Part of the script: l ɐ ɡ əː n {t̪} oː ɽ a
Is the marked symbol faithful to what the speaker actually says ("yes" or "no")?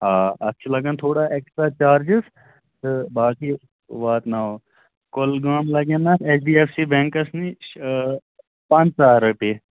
no